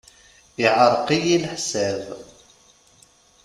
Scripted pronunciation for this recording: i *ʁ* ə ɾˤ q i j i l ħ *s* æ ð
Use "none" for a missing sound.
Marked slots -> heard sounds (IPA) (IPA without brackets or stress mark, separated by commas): ʕ, s